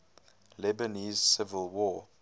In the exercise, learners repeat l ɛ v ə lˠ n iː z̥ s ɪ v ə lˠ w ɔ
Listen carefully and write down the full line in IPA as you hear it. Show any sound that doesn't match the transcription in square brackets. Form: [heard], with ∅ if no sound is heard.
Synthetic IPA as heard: l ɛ [b] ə [∅] n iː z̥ s ɪ v ə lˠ w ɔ